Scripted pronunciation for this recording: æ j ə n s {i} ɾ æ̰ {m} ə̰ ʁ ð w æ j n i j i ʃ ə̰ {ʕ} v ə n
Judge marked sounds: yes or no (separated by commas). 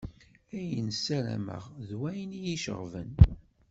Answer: no, yes, no